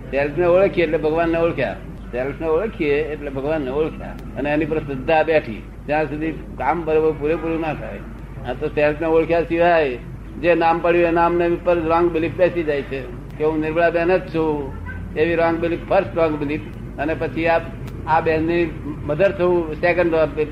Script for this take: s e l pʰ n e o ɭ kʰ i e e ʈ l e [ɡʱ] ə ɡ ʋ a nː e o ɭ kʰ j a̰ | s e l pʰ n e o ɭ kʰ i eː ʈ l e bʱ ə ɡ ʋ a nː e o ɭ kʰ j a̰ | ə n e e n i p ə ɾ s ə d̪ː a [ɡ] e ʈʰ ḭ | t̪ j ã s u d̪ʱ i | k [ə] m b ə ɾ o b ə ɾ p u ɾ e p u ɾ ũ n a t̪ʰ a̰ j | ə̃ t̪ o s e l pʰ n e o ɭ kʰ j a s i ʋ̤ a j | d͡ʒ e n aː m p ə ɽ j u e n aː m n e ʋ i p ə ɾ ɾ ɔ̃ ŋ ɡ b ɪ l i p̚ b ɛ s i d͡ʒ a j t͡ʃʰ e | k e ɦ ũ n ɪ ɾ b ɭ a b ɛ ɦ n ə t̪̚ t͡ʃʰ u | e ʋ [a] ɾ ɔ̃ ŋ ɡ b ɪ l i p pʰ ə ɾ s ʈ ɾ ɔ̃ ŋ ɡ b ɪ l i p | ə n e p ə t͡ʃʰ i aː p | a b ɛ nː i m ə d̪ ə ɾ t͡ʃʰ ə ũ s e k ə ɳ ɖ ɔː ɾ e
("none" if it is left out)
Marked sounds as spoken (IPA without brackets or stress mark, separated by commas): bʱ, b, a, i